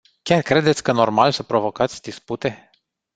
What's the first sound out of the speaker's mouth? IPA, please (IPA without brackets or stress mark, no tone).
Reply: kʲ